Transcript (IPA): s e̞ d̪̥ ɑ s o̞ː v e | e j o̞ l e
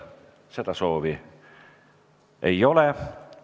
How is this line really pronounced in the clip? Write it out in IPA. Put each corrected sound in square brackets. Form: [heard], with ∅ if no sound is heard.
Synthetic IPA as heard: s e̞ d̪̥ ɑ s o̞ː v [i] | e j o̞ l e